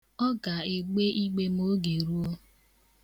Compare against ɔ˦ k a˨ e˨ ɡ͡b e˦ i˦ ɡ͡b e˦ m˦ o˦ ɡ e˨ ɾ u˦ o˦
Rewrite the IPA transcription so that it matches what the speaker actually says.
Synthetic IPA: ɔ˦ ɡ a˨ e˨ ɡ͡b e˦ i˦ ɡ͡b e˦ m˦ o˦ ɡ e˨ ɾ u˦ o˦